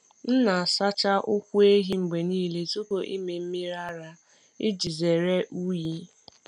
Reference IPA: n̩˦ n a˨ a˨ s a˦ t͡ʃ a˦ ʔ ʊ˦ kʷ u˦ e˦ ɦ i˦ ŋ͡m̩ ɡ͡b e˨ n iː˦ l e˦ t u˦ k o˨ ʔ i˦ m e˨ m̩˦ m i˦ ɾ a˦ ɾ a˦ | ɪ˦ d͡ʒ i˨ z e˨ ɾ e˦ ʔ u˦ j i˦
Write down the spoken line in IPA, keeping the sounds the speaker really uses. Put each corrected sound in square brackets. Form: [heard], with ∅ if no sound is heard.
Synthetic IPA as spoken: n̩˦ n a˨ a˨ s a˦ t͡ʃ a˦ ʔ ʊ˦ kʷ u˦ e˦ ɦ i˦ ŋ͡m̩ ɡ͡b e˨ n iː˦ l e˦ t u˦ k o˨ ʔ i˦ m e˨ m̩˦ m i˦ ɾ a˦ ɾ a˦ | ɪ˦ d͡ʒ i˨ z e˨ ɾ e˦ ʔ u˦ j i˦